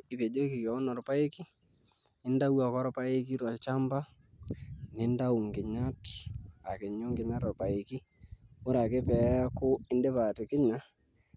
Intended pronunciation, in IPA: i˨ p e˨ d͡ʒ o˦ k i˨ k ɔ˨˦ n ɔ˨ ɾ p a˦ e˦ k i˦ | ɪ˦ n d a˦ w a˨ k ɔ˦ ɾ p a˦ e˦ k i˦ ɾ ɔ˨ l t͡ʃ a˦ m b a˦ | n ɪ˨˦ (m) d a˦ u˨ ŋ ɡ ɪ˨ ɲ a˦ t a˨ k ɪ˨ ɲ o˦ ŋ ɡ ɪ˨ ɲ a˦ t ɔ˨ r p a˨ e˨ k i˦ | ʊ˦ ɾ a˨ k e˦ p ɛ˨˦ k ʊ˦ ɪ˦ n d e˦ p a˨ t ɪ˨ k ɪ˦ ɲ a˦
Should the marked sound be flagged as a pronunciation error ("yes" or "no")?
yes